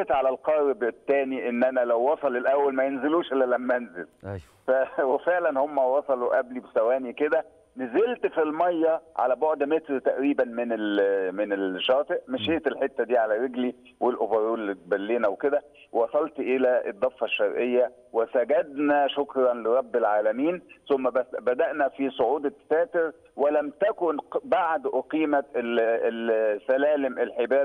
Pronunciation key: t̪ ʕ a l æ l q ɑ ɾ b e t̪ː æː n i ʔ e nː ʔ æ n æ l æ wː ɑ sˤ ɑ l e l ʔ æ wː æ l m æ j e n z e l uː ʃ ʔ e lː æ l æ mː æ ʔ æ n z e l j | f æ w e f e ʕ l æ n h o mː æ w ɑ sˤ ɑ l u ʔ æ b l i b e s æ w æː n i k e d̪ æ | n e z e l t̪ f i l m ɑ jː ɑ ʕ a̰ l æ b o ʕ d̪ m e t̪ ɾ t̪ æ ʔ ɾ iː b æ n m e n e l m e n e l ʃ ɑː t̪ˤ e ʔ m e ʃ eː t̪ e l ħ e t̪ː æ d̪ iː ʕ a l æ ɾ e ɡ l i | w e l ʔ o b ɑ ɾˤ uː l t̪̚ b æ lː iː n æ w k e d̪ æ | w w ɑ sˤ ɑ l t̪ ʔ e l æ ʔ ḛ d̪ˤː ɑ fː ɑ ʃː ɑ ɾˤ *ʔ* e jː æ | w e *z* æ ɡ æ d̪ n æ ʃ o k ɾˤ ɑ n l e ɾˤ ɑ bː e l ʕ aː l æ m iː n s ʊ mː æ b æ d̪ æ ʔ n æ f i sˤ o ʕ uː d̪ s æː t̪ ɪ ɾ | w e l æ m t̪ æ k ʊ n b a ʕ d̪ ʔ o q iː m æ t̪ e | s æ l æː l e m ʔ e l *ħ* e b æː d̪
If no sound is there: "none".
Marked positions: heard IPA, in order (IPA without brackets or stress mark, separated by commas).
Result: ʔ, s, ħ